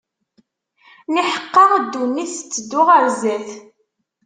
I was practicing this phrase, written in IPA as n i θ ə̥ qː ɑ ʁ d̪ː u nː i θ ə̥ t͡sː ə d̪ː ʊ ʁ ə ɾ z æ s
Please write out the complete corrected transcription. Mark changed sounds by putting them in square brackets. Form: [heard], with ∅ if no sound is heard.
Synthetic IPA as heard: n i [ħ] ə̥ qː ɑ ʁ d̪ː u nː i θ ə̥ t͡sː ə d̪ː ʊ ʁ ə ɾ z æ [θ]